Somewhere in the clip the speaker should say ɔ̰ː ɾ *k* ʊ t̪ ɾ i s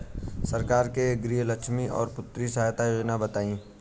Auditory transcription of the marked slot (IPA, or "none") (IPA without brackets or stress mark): p